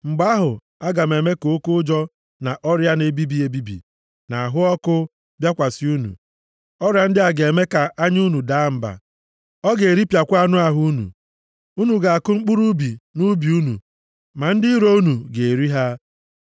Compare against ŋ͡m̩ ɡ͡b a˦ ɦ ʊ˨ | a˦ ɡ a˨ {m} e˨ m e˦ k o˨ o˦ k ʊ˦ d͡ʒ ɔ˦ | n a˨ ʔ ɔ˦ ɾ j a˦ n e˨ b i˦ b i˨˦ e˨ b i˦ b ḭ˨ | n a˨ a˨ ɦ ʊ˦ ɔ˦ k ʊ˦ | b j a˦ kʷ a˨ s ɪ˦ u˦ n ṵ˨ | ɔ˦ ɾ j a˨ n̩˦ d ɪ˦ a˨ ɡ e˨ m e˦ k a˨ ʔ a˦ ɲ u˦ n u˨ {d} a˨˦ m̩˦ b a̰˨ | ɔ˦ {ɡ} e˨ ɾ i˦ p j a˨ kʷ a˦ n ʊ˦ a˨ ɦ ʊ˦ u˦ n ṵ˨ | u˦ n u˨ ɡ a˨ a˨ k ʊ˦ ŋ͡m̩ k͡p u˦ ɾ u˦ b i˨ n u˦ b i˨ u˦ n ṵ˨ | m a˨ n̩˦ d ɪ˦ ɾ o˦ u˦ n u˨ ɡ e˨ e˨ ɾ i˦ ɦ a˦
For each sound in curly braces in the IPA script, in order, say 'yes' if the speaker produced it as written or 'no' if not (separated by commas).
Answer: yes, yes, yes